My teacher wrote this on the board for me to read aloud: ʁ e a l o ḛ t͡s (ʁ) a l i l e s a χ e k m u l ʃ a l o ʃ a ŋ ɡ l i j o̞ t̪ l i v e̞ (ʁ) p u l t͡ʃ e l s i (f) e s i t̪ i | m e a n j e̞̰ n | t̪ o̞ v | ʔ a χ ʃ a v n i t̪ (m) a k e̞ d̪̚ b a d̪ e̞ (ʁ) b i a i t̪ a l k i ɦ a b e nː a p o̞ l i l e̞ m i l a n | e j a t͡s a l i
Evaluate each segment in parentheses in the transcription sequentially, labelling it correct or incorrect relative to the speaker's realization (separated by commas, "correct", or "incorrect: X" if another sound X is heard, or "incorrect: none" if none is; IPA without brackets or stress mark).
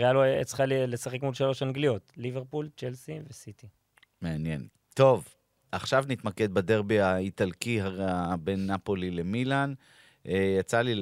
incorrect: χ, correct, incorrect: v, correct, correct